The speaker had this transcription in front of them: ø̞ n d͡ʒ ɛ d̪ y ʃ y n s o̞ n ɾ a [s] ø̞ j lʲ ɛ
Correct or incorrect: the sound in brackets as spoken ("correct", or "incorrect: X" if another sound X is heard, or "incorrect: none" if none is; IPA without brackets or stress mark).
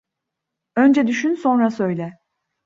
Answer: correct